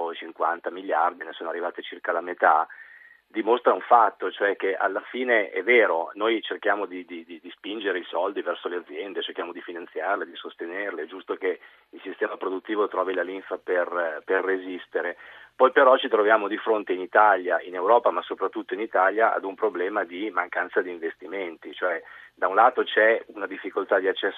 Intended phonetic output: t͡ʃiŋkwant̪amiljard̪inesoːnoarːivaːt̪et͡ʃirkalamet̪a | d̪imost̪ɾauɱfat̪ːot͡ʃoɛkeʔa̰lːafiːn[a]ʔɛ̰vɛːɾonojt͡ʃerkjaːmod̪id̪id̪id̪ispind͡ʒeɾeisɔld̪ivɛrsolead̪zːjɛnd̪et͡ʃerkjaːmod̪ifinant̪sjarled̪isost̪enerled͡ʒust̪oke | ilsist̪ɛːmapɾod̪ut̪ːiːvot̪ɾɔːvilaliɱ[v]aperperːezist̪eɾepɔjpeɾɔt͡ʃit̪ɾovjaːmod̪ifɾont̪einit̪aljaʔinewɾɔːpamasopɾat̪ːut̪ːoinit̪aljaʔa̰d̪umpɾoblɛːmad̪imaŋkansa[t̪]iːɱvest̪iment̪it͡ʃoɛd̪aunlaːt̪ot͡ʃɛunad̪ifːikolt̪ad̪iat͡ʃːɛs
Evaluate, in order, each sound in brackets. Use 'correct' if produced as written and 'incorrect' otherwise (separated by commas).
incorrect, incorrect, incorrect